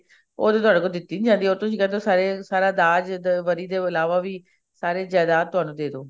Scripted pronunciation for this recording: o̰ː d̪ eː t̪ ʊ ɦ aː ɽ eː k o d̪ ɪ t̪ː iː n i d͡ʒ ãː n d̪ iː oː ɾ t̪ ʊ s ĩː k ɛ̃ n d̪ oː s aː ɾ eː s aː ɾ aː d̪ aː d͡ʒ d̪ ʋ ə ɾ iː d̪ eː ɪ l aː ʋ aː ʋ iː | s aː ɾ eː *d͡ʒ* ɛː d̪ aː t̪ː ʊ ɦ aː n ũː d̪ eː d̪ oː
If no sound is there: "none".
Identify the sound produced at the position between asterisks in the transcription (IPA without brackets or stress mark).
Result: d͡ʒ